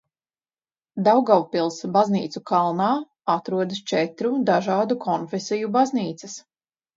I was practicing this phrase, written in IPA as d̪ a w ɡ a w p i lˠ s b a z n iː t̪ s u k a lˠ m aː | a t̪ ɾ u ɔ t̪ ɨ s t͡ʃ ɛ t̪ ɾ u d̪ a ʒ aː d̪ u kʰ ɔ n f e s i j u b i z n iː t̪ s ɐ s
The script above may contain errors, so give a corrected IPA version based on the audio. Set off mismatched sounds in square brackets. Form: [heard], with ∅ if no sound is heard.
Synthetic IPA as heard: d̪ a w ɡ a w p i lˠ s b a z n iː t̪ s u k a lˠ [n] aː | a t̪ ɾ u ɔ [d̪] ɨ s t͡ʃ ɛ t̪ ɾ u d̪ a ʒ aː d̪ u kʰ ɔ n f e s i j u b [a] z n iː t̪ s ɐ s